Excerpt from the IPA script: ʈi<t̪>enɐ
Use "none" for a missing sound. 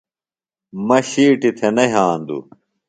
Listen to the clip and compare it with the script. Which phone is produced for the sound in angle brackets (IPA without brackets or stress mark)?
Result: t̪ʰ